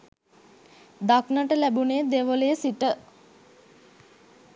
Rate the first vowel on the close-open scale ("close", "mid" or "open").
open